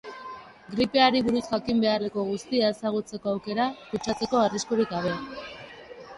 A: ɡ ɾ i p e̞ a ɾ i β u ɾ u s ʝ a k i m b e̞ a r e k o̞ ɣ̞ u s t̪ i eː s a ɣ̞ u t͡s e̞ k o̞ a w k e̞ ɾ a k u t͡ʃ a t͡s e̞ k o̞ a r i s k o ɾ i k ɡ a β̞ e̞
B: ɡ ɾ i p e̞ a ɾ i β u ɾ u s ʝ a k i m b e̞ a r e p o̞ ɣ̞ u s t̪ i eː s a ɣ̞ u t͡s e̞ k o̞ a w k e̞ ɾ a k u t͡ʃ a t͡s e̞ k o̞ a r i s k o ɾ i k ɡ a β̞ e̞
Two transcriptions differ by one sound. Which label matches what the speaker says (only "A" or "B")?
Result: A